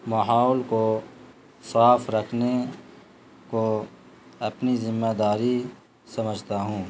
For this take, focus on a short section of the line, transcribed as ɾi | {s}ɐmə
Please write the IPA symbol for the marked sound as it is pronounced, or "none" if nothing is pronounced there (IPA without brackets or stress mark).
s